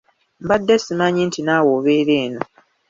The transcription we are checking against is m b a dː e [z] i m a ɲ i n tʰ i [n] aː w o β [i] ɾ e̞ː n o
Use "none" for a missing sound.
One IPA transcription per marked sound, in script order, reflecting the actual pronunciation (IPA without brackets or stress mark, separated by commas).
s, n, e